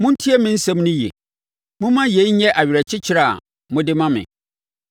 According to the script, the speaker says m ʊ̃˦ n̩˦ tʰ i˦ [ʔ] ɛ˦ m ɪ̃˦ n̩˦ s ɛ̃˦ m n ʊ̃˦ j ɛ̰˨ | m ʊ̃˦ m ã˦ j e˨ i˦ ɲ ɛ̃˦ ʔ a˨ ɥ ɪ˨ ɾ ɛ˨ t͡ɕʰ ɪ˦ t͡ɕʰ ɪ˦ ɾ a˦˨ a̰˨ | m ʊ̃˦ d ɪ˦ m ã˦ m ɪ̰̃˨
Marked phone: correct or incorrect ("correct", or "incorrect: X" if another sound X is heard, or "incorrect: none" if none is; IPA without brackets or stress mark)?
incorrect: none